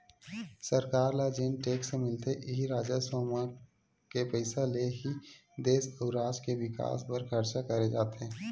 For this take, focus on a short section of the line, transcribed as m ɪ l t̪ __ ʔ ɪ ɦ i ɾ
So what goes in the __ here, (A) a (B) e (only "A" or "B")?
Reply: B